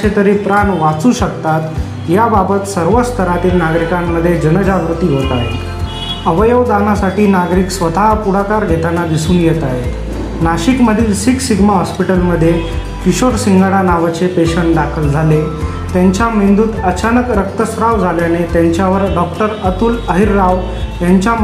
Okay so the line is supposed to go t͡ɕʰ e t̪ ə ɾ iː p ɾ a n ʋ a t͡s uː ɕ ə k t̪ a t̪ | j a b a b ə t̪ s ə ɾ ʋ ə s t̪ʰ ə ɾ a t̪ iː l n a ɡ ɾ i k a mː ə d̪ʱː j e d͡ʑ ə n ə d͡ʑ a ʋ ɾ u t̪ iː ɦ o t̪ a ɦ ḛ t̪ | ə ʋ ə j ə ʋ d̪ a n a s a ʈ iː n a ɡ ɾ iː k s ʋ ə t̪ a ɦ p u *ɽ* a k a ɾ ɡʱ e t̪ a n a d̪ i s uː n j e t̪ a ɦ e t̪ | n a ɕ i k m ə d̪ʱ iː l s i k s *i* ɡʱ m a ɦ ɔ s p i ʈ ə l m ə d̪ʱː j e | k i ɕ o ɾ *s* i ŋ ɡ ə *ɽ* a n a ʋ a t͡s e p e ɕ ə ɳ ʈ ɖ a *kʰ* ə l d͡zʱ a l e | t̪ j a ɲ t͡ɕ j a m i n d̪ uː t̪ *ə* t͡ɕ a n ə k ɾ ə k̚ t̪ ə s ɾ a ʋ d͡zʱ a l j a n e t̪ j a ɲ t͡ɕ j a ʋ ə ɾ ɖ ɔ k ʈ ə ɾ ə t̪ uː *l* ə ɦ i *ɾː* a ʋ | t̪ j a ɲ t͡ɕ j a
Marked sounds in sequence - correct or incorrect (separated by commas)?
correct, correct, correct, correct, correct, correct, correct, correct